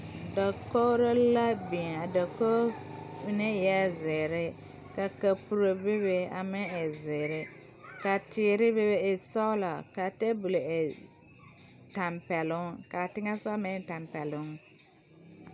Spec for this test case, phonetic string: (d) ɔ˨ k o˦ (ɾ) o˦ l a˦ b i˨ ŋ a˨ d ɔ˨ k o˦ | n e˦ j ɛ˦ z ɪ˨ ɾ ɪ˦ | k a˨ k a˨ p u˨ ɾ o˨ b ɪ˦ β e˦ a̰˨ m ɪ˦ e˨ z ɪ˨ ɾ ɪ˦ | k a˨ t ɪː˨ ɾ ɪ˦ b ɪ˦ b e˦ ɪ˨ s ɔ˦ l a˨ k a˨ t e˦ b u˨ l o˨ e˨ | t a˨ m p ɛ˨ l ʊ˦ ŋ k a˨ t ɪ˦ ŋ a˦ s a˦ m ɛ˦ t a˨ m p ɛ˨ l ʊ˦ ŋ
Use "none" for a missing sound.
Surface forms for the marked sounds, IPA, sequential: d, ɾ

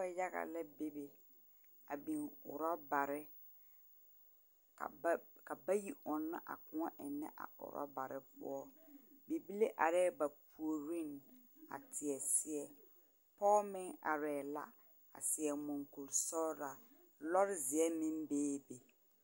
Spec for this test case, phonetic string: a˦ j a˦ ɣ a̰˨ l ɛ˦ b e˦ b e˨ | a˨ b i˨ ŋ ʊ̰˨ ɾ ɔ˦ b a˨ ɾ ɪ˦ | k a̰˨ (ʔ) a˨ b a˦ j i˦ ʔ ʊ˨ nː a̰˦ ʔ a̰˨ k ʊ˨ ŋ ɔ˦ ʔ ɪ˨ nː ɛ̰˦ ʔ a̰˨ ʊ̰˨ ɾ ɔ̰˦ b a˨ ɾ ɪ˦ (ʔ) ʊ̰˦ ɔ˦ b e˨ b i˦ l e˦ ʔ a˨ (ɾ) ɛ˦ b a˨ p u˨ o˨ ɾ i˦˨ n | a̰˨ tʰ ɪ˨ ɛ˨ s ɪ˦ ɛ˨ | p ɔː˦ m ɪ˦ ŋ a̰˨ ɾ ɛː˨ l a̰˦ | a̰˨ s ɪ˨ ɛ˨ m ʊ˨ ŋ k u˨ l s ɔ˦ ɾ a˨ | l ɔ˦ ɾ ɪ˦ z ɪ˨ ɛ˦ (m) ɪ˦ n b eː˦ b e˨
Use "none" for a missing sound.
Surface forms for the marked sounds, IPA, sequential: k, p, ɾ, m

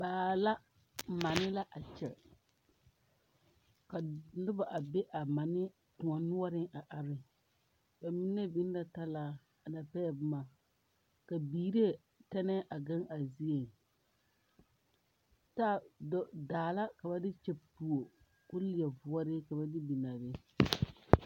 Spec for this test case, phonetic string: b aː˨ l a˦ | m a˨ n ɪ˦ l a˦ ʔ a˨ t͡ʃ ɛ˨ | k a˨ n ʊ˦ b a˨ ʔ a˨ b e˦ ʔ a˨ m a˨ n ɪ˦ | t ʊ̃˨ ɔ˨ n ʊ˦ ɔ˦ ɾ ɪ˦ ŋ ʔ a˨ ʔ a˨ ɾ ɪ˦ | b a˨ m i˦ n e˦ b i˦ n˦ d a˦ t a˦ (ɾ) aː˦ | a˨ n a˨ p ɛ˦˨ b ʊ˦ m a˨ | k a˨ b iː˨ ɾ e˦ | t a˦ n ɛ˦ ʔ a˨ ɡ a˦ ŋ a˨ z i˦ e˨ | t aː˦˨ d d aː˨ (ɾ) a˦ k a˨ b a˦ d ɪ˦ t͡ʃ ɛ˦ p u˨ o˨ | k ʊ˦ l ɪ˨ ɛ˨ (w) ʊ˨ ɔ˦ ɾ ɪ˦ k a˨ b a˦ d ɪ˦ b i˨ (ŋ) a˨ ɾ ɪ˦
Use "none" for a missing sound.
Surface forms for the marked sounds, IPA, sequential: l, l, v, n

